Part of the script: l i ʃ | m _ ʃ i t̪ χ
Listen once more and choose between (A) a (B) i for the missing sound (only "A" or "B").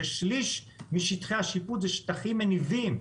B